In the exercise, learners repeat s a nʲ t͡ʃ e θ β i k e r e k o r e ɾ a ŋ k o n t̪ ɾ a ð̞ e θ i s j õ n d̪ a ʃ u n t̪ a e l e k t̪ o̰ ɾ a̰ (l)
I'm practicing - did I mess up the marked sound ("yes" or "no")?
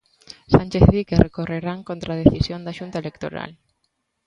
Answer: no